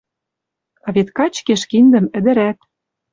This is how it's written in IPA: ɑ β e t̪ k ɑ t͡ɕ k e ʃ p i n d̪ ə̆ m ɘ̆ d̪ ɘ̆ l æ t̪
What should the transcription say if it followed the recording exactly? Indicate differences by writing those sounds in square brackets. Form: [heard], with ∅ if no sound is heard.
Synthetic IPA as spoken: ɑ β e t̪ k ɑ t͡ɕ k e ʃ [k] i n d̪ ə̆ m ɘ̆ d̪ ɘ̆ [ɾ] æ t̪

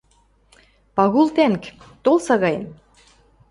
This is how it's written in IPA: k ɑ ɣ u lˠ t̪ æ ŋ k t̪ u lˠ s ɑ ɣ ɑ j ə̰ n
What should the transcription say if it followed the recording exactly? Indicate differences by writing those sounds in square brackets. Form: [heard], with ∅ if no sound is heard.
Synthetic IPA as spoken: [p] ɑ ɣ u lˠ t̪ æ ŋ k t̪ [o] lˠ s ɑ ɣ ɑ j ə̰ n

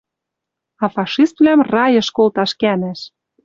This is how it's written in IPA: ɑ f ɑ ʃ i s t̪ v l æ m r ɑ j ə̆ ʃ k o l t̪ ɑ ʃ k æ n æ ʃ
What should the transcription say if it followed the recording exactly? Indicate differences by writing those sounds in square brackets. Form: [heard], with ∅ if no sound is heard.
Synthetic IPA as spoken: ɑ f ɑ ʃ i s t̪ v l æ m r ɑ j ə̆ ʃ k o l t̪ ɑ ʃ k æ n æ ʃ

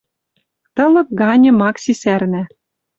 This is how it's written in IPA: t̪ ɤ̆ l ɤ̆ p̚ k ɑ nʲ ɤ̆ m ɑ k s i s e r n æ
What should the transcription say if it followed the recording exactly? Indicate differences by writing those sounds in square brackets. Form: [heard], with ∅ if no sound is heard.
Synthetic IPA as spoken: t̪ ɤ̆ l ɤ̆ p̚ [ɡ] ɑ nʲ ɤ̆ m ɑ k s i s [æ] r n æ

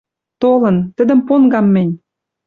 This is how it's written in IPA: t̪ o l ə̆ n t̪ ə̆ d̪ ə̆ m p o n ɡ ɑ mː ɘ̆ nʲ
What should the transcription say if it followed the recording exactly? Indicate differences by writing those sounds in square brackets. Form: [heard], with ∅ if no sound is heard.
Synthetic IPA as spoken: t̪ o l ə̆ n t̪ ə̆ d̪ ə̆ m p o n ɡ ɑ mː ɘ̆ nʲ

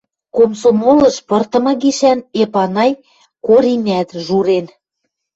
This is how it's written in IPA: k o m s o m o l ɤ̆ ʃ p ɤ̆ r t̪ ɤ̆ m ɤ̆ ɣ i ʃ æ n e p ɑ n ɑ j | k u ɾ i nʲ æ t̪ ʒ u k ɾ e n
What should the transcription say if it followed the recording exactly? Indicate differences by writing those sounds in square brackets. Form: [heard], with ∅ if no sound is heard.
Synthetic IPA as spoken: k o m s o m o l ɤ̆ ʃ p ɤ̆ r t̪ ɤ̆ m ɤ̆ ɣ i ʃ æ n e p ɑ n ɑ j | k [o] ɾ i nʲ æ t̪ ʒ u [∅] ɾ e n

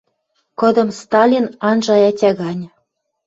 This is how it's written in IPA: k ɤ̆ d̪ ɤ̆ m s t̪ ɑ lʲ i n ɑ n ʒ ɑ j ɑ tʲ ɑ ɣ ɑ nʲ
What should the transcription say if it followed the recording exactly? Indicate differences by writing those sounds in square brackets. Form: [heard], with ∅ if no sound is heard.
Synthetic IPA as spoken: k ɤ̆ d̪ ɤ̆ m s t̪ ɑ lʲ i n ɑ n ʒ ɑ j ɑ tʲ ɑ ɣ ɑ nʲ

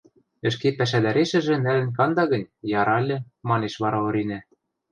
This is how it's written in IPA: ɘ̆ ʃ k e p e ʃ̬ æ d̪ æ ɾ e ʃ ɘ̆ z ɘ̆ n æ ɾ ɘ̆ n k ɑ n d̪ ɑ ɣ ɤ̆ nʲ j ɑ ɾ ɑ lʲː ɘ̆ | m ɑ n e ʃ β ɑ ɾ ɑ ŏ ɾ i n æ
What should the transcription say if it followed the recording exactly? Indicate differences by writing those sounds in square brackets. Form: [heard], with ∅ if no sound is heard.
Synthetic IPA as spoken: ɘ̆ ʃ k e p [æ] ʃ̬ æ d̪ æ ɾ e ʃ ɘ̆ [ʒ] ɘ̆ n æ [l] ɘ̆ n k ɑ n d̪ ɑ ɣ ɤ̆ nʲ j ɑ ɾ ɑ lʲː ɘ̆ | m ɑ n e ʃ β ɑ ɾ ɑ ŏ ɾ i n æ

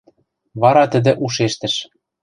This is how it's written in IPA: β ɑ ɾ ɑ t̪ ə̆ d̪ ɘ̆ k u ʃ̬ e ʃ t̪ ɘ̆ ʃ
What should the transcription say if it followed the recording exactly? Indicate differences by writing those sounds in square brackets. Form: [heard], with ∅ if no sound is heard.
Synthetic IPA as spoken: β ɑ ɾ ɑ t̪ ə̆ d̪ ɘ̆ [ʔ] u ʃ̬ e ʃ t̪ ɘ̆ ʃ

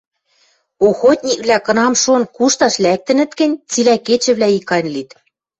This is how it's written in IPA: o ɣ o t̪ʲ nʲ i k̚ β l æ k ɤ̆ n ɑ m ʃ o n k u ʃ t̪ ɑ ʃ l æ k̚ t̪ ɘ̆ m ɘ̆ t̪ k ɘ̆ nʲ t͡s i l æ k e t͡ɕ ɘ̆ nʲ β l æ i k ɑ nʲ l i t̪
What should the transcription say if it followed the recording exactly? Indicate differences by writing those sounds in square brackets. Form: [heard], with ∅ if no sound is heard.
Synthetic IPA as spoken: o [x] o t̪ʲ nʲ i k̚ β l æ k ɤ̆ n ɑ m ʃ o n k u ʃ t̪ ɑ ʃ l æ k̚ t̪ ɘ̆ [n] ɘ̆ t̪ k ɘ̆ nʲ t͡s i l æ k e t͡ɕ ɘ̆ [∅] β l æ i k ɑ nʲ l i t̪

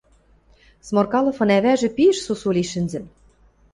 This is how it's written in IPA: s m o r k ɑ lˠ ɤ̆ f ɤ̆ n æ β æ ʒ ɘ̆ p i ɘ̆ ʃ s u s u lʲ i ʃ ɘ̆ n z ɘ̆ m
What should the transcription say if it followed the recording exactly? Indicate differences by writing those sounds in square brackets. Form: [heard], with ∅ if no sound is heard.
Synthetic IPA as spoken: s m o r k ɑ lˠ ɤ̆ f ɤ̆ n æ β æ ʒ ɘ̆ p i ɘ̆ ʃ s u s u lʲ i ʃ ɘ̆ n z ɘ̆ m

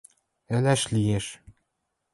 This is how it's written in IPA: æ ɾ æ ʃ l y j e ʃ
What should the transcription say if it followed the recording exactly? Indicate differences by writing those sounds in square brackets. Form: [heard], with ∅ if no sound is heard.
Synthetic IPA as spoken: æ [l] æ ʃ l [i] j e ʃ

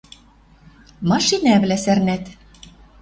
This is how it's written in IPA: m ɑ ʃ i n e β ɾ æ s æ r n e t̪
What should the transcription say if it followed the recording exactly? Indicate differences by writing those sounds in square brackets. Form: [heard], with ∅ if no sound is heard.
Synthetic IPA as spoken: m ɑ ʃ i n [æ] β [l] æ s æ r n [æ] t̪

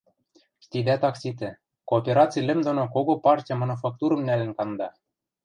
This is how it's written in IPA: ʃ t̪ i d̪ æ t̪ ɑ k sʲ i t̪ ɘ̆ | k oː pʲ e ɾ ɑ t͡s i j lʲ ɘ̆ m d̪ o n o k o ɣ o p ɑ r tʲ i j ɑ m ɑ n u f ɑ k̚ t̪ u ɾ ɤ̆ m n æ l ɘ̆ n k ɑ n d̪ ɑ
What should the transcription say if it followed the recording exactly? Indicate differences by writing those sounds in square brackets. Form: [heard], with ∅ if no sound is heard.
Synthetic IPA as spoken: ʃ t̪ i d̪ æ t̪ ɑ k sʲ i t̪ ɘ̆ | k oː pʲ e ɾ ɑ t͡s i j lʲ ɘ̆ m d̪ o n o k o ɣ o p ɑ r tʲ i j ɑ m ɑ n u f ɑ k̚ t̪ u ɾ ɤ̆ m n æ l ɘ̆ n k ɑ n d̪ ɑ

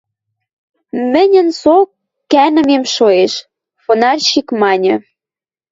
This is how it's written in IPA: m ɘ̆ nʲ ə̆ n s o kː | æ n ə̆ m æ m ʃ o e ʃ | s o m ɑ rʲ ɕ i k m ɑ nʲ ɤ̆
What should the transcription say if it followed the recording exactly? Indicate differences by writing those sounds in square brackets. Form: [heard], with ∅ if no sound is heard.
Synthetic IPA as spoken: m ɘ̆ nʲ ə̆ n s o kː | æ n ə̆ m [e] m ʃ o e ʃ | [f] o [n] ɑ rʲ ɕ i k m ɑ nʲ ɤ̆

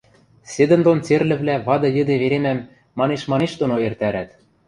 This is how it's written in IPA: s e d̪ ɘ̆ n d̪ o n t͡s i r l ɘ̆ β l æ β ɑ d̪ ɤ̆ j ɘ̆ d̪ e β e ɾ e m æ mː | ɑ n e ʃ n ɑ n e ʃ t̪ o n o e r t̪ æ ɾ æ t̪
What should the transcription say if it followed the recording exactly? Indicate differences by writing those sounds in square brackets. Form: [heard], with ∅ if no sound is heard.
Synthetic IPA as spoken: s e d̪ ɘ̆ n d̪ o n t͡s [e] r l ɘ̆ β l æ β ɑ d̪ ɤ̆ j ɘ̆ d̪ e β e ɾ e m æ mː | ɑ n e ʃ [m] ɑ n e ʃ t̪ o n o e r t̪ æ ɾ æ t̪

